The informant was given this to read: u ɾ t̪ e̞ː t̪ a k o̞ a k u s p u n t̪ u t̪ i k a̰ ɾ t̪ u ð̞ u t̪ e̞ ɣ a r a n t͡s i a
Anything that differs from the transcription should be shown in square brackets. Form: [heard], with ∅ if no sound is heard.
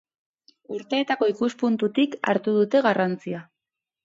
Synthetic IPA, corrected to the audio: u ɾ t̪ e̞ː t̪ a k o̞ [i] k u s p u n t̪ u t̪ i k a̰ ɾ t̪ u ð̞ u t̪ e̞ ɣ a r a n t͡s i a